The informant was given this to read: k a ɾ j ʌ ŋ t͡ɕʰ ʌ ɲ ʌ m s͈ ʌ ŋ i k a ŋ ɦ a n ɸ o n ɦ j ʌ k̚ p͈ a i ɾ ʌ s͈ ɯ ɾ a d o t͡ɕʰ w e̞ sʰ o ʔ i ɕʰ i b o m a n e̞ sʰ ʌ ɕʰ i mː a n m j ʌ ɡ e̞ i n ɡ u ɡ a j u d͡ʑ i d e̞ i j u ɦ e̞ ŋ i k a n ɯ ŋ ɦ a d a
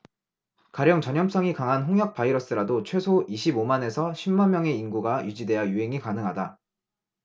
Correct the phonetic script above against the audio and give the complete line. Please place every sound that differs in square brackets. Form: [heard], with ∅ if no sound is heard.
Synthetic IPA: k a ɾ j ʌ ŋ [t͡ɕ] ʌ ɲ ʌ m s͈ ʌ ŋ i k a ŋ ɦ a n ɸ o [ŋ] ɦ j ʌ k̚ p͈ a i ɾ ʌ s͈ ɯ ɾ a d o t͡ɕʰ w e̞ sʰ o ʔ i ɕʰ i b o m a n e̞ sʰ ʌ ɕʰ i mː a n m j ʌ [ŋ] e̞ i n ɡ u ɡ a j u d͡ʑ i d e̞ [a] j u ɦ e̞ ŋ i k a n ɯ ŋ ɦ a d a